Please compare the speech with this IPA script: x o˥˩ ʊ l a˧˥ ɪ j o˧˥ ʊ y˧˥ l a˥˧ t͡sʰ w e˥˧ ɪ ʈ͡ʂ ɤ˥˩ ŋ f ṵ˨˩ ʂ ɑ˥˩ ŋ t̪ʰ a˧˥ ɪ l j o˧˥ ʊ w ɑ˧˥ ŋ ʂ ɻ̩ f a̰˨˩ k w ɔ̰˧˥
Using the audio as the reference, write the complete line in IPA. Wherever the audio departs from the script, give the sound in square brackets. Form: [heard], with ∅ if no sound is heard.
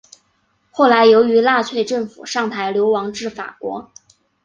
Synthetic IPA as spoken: x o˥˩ ʊ l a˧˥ ɪ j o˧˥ ʊ y˧˥ l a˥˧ t͡sʰ w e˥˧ ɪ ʈ͡ʂ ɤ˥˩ ŋ f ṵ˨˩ ʂ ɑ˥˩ ŋ t̪ʰ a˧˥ ɪ l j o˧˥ ʊ w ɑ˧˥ ŋ [ʈ͡ʂ] ɻ̩ f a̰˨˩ k w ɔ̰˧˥